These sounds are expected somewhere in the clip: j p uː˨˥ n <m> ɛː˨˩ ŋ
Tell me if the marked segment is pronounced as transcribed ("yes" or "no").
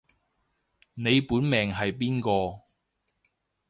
yes